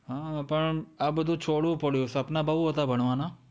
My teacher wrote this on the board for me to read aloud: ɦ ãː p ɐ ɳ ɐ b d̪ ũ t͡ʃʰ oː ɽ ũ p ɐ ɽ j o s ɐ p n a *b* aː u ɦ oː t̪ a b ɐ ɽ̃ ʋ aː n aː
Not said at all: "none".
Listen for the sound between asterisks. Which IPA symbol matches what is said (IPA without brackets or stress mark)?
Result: b